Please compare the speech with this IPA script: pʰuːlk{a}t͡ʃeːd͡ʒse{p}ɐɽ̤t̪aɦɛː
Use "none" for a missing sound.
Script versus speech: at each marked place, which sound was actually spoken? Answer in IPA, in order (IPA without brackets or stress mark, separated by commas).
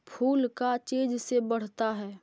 a, b